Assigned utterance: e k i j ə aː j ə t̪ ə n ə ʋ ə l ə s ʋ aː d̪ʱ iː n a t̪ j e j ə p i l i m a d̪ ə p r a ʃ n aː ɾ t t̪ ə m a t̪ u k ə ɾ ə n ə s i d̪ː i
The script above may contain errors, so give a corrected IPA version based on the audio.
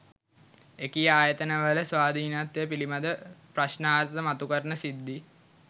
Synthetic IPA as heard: e k i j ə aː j ə t̪ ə n ə ʋ ə l ə s ʋ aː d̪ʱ iː n a t̪ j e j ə p i l i m a d̪ ə p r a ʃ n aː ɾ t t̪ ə m a t̪ u k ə ɾ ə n ə s i d̪ː i